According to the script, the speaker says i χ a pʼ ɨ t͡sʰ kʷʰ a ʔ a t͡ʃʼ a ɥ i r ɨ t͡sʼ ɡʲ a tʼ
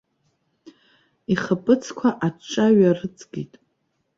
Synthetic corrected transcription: i χ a pʼ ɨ t͡sʰ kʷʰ a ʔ a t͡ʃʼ a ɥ a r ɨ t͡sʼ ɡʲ i tʼ

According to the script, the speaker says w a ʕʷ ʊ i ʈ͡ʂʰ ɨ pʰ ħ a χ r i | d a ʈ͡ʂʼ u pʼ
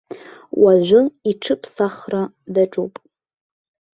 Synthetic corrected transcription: w a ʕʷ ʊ i ʈ͡ʂʰ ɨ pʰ s a χ r a | d a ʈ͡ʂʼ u pʼ

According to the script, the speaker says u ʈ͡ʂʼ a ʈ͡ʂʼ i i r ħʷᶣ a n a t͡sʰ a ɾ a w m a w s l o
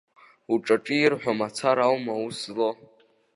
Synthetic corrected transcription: u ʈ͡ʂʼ a ʈ͡ʂʼ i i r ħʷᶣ a m a t͡sʰ a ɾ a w m a u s l o

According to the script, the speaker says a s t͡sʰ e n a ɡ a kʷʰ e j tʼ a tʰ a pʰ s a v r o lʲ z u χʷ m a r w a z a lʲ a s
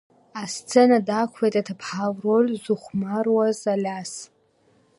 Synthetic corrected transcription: a s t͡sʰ e n a d a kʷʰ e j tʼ a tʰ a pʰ ħ a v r o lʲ z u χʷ m a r w a z a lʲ a s

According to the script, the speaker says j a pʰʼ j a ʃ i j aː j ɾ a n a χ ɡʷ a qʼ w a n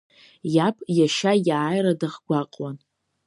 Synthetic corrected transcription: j a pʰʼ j a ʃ a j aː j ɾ a d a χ ɡʷ a qʼ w a n

